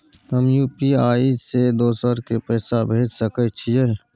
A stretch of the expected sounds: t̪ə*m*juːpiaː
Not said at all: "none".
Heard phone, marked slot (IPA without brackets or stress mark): m